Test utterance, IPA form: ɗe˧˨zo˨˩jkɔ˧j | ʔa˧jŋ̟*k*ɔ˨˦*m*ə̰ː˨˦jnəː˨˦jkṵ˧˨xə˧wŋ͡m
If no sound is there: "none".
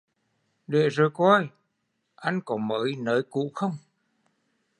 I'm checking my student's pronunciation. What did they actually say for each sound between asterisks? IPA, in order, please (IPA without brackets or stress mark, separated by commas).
k, m